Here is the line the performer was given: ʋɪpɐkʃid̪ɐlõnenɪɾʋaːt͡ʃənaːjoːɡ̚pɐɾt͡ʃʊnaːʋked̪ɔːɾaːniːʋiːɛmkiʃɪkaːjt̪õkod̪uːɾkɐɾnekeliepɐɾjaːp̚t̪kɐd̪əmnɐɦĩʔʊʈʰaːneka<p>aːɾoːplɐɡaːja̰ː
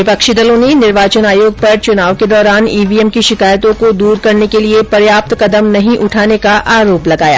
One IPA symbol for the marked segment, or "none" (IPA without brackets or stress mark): ʔ